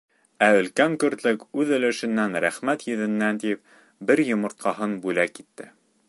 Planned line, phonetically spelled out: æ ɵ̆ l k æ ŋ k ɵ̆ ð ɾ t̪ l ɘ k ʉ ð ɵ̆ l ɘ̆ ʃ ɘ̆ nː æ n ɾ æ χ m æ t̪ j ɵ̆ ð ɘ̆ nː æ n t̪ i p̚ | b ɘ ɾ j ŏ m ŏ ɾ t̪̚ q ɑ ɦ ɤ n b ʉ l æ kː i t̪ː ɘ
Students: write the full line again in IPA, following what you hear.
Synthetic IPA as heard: æ ɵ̆ l k æ ŋ k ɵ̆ ɾ t̪ l ɘ k ʉ ð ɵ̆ l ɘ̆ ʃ ɘ̆ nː æ n ɾ æ χ m æ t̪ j ɵ̆ ð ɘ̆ nː æ n t̪ i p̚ | b ɘ ɾ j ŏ m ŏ ɾ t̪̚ q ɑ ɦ ɤ n b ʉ l æ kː i t̪ː ɘ

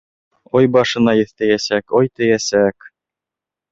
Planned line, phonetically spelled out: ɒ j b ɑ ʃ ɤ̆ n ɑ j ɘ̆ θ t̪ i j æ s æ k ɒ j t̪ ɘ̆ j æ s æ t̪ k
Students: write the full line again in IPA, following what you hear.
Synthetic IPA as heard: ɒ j b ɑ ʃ ɤ̆ n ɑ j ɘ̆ θ t̪ æ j æ s æ k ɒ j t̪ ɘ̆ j æ s æ k

